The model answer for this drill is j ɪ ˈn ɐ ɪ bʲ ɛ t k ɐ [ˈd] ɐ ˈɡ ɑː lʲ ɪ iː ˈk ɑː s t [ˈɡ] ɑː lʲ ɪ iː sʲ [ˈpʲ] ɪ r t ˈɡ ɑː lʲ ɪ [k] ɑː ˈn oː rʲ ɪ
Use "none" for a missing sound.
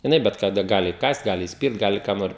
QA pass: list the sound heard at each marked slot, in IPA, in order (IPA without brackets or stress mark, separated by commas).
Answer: d, ɡ, pʲ, k